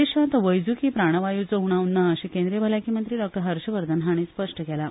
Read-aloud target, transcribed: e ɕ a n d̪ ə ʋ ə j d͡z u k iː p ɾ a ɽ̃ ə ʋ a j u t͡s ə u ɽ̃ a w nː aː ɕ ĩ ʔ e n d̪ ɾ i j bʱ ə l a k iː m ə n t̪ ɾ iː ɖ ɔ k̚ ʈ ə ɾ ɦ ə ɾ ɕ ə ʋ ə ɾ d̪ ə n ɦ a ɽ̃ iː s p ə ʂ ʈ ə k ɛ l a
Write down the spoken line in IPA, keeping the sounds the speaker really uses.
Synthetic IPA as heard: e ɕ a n t̪ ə ʋ ə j d͡z u k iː p ɾ a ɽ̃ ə ʋ a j u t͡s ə u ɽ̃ a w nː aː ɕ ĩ k e n d̪ ɾ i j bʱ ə l a k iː m ə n t̪ ɾ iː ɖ ɔ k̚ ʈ ə ɾ ɦ ə ɾ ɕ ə ʋ ə ɾ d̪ ə n ɦ a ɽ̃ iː s p ə ʂ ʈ ə k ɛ l a

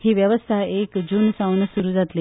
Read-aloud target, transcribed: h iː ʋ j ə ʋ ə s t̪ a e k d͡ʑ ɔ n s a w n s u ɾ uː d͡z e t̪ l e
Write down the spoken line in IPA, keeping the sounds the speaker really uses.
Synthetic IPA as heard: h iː ʋ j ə ʋ ə s t̪ʰ a e k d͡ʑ u n s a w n s u ɾ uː d͡z a t̪ l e

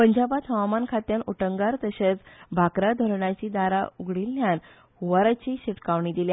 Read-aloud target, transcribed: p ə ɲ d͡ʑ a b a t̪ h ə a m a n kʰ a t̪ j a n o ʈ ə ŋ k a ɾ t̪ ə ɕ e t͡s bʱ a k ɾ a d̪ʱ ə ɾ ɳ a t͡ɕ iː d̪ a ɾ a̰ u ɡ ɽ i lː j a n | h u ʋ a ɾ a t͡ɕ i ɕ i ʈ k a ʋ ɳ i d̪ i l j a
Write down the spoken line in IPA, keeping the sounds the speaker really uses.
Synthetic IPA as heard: p ə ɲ d͡ʑ a b a t̪ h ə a m a n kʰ a t̪ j a n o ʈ ə ŋ ɡ a ɾ t̪ ə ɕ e t͡s bʱ a k ɾ a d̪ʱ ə ɾ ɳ a t͡ɕ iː d̪ a ɾ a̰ u ɡ ɽ i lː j a n | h u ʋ a ɾ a t͡ɕ i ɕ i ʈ k a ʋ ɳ i d̪ i l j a

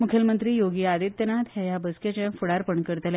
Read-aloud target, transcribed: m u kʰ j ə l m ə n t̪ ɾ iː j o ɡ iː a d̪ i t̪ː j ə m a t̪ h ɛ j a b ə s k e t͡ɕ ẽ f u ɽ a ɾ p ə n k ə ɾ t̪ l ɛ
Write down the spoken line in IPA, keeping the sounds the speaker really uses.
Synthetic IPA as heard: m u kʰ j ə l m ə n t̪ ɾ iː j o ɡ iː a d̪ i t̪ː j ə n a t̪ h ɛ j a b ə s k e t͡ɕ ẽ f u ɽ a ɾ p ə ɳ k ə ɾ t̪ l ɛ

